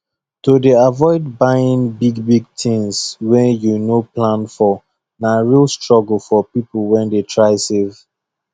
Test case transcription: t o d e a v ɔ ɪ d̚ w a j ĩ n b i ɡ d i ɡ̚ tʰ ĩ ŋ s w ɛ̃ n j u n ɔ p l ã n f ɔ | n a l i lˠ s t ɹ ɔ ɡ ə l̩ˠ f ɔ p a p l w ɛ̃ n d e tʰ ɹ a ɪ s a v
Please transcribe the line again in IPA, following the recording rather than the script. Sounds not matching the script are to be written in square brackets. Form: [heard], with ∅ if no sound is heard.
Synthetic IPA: t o d e a v ɔ ɪ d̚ [b] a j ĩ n b i ɡ [b] i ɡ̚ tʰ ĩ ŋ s w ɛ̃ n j u n [o] p l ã n f ɔ | n a [ɹ] i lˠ s t ɹ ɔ ɡ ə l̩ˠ f ɔ p [i] p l w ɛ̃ n d e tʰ ɹ a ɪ s [e] v